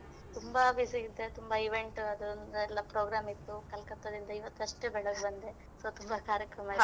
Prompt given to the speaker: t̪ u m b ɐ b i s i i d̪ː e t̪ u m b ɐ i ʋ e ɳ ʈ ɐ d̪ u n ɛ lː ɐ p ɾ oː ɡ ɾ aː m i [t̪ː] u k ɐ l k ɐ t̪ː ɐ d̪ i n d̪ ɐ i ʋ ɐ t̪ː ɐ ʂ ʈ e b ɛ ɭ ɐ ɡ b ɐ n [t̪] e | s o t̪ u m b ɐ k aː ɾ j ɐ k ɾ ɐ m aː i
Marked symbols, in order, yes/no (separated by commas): yes, no